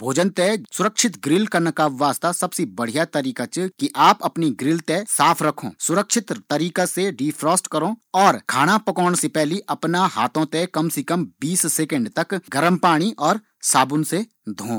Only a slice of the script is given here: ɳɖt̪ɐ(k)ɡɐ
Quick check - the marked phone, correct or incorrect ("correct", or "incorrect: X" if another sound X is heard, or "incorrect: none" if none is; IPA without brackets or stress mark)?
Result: correct